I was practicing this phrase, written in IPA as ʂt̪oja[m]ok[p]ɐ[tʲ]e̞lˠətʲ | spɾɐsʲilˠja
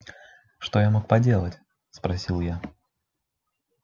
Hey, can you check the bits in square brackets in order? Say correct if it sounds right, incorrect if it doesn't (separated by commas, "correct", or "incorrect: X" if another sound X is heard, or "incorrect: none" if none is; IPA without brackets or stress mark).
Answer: correct, correct, incorrect: dʲ